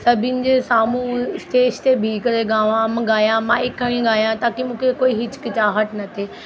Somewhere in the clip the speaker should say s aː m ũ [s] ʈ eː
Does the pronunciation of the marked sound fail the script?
no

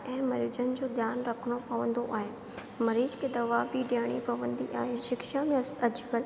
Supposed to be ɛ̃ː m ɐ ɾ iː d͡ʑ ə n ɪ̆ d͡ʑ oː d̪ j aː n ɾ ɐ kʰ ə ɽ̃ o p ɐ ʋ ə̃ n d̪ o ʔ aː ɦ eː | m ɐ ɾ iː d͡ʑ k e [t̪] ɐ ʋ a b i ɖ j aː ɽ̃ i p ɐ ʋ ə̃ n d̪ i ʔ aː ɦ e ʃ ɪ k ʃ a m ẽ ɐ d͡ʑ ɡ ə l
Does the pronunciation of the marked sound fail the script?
yes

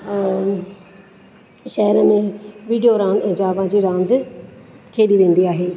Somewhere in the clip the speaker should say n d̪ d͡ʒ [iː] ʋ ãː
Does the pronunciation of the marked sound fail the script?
yes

